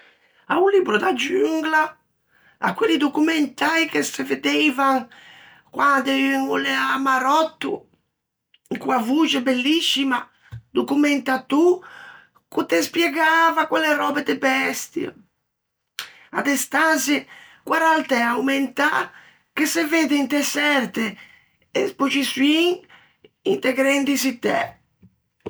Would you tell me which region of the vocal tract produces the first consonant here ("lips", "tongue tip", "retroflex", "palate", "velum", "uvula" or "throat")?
tongue tip